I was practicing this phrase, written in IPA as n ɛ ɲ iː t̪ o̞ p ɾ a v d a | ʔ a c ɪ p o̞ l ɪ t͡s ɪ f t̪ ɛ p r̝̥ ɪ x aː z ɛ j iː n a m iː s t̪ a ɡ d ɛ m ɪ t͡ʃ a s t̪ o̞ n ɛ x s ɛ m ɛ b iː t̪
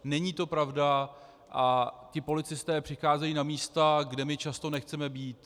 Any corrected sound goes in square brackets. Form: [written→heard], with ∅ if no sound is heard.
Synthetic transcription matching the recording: n ɛ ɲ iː t̪ o̞ p ɾ a v d a | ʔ a c ɪ p o̞ l ɪ t͡s ɪ [f→s] t̪ [ɛ→ɛː] p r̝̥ ɪ x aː z ɛ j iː n a m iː s t̪ a ɡ d ɛ m ɪ t͡ʃ a s t̪ o̞ n ɛ x [s→t͡s] ɛ m ɛ b iː t̪